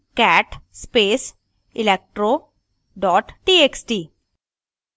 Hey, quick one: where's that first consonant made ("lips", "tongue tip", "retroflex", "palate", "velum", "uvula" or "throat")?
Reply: velum